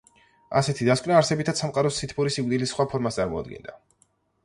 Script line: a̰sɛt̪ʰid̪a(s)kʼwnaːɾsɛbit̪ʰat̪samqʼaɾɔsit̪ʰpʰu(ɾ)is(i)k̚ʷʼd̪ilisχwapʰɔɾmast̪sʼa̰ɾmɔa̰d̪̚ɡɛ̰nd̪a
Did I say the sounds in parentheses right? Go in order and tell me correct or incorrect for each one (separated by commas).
correct, correct, correct